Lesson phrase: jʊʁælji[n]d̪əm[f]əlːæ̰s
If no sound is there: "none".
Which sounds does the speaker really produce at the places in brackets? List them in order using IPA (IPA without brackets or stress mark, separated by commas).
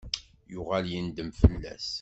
n, f